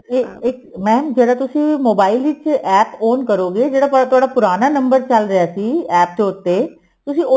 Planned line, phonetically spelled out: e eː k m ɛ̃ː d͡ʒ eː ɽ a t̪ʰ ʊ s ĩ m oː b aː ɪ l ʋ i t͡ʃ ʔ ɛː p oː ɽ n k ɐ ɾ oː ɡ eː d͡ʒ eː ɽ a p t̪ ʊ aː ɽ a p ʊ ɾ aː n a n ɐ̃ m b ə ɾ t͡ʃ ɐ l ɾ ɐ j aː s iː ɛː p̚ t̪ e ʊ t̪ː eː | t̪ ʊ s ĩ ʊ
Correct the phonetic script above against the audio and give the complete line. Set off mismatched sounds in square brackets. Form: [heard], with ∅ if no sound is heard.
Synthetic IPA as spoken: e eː k m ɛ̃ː d͡ʒ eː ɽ a [t̪] ʊ s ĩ m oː b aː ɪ l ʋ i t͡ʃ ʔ ɛː p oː [∅] n k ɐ ɾ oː ɡ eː d͡ʒ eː ɽ a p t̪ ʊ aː ɽ a p ʊ ɾ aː n a n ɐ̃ m b ə ɾ t͡ʃ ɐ l ɾ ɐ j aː s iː ɛː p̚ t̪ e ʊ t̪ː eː | t̪ ʊ s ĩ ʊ